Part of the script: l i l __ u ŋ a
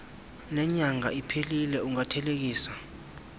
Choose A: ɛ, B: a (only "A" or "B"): A